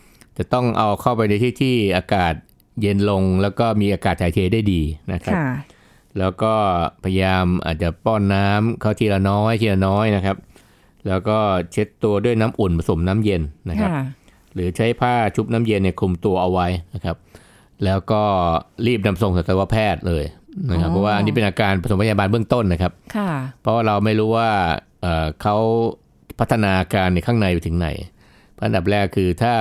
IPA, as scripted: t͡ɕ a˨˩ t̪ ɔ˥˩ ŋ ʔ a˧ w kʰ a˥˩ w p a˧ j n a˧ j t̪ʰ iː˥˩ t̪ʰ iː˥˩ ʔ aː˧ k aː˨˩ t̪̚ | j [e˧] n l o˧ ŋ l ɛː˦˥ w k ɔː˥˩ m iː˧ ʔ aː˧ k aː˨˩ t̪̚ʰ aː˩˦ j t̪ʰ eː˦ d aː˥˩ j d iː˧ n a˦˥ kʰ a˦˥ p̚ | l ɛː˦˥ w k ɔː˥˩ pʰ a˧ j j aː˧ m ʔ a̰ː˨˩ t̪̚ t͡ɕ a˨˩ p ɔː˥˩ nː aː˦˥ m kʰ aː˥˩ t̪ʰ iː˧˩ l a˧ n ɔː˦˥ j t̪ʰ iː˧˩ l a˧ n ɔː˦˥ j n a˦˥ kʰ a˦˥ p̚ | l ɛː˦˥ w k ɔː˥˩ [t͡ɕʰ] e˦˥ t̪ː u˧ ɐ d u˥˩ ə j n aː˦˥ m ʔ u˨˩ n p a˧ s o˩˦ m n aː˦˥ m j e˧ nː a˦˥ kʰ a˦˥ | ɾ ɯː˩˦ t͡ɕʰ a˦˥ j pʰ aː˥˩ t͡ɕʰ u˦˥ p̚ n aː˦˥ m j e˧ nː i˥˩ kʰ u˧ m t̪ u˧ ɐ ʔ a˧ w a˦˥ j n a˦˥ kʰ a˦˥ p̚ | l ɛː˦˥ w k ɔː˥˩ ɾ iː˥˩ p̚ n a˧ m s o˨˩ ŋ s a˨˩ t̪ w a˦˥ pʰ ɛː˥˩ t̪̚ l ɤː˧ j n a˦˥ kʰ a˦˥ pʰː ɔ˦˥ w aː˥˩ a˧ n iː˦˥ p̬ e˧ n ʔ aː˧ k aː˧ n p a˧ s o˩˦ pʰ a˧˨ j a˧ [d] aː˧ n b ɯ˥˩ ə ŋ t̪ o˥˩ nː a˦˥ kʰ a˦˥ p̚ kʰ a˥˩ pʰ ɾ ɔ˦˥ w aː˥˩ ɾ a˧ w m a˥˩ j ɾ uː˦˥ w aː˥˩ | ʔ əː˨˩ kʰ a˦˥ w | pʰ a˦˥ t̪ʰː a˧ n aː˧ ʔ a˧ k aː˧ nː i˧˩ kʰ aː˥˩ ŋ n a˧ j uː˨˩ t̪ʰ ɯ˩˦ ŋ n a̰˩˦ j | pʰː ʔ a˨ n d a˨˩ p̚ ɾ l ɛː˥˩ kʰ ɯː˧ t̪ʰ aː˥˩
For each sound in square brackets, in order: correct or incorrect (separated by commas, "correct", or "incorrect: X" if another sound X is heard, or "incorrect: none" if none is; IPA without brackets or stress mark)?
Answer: correct, correct, incorrect: b